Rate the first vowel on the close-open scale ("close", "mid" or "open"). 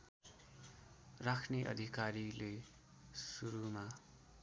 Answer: open